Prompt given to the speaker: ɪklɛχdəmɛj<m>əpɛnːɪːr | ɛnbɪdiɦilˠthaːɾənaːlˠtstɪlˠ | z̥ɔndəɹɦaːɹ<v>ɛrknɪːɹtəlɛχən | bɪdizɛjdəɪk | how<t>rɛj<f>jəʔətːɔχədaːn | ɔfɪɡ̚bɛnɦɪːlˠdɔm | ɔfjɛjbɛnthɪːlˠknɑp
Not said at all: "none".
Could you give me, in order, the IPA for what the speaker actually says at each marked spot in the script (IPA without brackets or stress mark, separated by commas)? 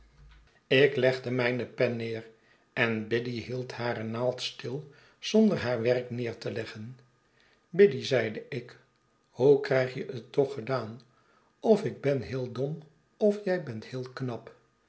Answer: n, ʋ, k, χ